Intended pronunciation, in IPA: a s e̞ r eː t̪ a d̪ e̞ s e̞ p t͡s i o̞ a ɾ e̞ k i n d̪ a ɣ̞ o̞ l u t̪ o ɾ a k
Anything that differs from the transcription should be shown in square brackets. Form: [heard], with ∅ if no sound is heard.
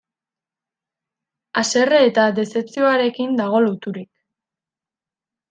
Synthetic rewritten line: a s e̞ r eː t̪ a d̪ e̞ s e̞ p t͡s i o̞ a ɾ e̞ k i n d̪ a ɣ̞ o̞ l u t̪ [u] ɾ [i] k